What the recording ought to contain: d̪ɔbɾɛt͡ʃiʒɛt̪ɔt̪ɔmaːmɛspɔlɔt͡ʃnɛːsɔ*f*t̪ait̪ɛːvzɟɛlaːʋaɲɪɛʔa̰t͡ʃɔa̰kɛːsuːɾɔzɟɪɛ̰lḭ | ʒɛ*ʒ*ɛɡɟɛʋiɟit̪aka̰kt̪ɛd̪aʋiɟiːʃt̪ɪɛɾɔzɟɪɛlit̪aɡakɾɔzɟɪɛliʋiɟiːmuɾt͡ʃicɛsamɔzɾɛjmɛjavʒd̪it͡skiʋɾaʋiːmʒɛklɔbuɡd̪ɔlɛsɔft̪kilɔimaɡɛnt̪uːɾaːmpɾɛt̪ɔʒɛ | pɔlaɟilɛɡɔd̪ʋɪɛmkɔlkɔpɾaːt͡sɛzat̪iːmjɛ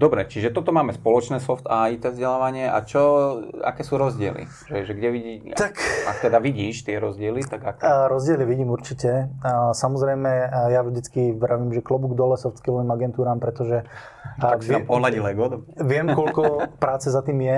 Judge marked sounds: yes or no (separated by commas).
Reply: yes, yes